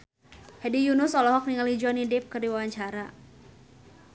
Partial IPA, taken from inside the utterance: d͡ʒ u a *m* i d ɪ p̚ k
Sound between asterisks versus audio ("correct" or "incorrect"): incorrect